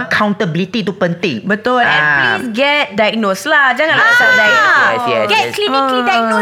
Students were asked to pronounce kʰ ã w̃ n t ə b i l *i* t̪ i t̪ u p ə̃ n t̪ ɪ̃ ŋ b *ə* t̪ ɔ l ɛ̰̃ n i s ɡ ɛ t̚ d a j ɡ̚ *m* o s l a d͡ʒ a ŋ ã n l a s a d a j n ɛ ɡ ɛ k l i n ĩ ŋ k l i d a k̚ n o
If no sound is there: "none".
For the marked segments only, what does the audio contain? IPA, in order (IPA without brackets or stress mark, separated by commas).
i, ə, n